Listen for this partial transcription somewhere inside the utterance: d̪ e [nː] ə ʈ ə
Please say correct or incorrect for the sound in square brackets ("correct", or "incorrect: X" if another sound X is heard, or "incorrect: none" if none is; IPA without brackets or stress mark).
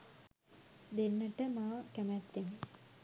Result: correct